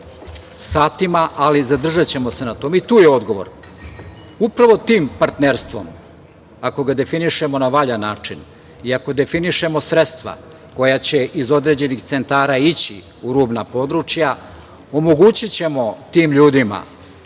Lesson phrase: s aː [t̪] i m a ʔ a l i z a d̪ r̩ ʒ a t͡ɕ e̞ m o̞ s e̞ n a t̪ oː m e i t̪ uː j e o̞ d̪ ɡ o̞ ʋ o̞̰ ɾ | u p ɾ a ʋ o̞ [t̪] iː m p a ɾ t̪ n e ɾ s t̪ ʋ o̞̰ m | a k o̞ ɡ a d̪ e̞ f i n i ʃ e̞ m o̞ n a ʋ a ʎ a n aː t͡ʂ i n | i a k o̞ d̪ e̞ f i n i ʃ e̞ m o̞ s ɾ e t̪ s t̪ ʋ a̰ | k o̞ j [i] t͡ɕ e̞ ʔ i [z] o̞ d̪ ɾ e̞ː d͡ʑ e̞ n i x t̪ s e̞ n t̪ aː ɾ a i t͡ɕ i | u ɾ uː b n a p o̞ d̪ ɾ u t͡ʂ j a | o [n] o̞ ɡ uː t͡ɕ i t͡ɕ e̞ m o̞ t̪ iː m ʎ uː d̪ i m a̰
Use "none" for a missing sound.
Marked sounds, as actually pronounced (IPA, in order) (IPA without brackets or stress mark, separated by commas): t̪, t̪, a, z, m